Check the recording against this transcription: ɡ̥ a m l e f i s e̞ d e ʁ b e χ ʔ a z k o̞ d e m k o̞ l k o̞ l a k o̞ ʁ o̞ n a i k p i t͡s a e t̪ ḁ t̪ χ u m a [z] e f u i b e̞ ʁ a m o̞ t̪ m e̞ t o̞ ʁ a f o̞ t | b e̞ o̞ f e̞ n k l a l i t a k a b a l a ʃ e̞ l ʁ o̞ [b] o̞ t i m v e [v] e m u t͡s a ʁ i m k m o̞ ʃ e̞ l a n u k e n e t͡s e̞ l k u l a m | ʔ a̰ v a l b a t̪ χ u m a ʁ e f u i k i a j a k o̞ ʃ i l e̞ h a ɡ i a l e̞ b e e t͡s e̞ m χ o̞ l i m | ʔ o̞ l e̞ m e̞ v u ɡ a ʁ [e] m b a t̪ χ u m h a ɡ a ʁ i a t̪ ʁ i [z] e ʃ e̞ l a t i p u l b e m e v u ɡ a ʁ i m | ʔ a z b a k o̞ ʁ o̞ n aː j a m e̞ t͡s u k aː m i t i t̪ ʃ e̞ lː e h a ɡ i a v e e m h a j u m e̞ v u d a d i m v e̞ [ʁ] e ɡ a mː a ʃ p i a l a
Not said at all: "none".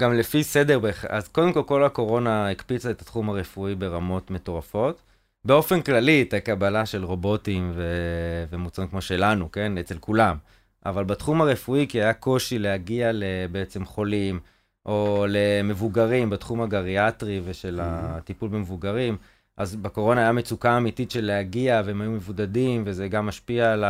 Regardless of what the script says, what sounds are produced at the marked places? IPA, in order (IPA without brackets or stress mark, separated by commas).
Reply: ʁ, b, v, i, v, z